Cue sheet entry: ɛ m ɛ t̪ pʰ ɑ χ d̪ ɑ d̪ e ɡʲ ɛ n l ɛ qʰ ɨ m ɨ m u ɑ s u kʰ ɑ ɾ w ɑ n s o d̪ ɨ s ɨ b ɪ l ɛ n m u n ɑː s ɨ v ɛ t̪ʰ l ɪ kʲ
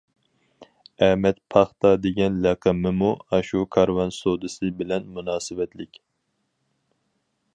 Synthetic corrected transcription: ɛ m ɛ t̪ pʰ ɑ χ t̪ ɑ d̪ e ɡʲ ɛ n l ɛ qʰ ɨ m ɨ m u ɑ ʃ u kʰ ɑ ɾ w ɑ n s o d̪ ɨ s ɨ b ɪ l ɛ n m u n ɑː s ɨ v ɛ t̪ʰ l ɪ kʲ